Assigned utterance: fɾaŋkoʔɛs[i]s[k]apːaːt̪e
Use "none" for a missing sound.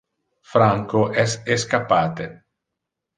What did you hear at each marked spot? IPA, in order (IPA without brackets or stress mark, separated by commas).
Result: e, k